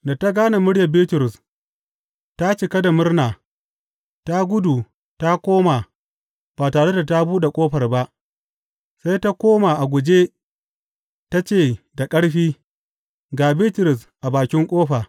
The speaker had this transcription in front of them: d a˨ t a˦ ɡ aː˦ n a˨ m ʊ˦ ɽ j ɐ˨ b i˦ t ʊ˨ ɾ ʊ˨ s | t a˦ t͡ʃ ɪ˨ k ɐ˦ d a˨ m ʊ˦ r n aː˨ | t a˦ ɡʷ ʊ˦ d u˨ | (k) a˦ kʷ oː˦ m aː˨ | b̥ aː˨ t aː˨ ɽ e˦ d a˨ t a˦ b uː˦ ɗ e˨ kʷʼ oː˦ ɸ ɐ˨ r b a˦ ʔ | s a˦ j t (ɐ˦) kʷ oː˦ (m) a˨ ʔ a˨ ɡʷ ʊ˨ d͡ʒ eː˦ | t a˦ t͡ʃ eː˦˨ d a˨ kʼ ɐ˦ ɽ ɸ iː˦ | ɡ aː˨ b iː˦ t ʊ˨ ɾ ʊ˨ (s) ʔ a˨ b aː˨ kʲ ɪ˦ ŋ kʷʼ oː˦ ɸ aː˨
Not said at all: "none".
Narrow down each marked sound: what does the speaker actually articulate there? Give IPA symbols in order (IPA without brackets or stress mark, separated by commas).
t, a˦, m, s